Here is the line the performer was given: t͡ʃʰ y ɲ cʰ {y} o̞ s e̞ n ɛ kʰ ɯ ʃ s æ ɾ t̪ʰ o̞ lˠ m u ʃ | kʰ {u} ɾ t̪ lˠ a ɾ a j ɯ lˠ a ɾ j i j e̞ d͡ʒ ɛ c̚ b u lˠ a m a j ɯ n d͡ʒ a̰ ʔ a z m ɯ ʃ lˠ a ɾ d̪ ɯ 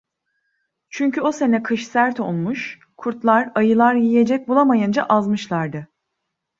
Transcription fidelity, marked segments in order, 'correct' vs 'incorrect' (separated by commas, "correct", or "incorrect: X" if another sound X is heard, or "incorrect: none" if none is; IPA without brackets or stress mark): correct, correct